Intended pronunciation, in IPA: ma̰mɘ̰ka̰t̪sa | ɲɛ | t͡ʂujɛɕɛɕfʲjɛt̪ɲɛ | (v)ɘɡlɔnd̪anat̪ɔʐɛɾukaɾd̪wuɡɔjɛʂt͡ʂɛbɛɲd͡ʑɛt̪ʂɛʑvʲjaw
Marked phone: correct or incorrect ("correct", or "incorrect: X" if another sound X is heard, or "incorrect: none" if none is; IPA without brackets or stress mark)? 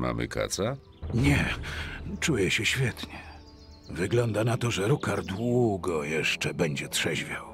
correct